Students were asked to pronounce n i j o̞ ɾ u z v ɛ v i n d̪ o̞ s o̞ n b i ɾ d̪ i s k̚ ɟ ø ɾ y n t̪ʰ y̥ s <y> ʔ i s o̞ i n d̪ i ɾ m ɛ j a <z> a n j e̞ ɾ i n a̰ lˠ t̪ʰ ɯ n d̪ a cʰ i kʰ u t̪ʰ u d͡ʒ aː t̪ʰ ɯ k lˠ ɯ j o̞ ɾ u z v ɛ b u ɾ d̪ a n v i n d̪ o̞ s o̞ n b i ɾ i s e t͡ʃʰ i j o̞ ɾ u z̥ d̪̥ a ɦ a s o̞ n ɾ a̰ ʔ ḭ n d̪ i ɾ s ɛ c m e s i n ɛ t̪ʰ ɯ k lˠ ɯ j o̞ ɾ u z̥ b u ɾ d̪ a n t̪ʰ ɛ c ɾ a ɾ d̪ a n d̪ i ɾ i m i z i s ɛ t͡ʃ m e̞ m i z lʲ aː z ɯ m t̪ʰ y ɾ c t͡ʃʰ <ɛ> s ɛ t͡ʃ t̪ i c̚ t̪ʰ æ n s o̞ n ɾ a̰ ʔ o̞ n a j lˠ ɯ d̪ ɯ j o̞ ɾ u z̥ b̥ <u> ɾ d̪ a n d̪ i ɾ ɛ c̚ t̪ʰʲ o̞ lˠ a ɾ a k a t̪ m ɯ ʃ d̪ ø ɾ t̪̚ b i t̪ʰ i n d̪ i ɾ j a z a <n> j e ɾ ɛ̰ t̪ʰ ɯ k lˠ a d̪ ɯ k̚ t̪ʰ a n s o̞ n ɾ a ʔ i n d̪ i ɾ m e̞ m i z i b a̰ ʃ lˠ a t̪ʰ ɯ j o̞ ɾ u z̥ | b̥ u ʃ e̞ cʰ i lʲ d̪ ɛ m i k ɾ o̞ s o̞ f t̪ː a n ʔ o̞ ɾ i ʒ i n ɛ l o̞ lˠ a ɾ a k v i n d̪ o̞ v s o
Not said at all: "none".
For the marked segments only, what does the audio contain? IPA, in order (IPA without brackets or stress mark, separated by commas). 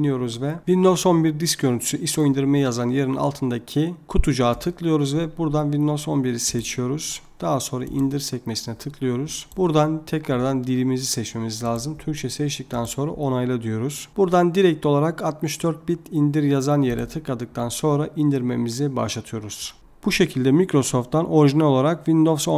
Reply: y, z, ɛ, u, n